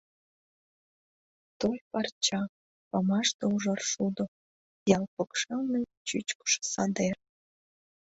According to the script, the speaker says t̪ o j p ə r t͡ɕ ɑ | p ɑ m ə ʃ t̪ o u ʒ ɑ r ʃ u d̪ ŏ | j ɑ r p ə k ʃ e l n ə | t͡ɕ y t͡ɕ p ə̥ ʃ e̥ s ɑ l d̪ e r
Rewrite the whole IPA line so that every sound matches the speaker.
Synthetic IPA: t̪ o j p ɑ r t͡ɕ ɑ | p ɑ m ɑ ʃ t̪ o u ʒ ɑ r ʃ u d̪ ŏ | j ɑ l p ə k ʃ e l n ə | t͡ɕ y t͡ɕ k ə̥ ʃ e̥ s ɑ d̪ e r